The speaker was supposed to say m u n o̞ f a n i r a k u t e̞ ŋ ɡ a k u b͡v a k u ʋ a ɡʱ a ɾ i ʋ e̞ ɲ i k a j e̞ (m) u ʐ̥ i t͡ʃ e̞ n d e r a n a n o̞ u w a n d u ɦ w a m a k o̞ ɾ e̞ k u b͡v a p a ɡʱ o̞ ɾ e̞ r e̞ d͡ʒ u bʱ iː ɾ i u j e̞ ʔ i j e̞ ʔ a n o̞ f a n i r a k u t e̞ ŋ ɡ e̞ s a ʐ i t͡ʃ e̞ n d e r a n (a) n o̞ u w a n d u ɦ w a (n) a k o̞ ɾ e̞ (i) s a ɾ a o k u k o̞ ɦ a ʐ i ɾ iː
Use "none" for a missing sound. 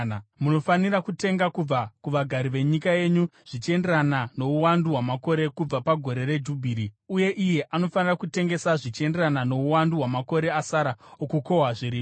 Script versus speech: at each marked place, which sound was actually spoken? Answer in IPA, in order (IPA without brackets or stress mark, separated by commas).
ɲ, a, m, a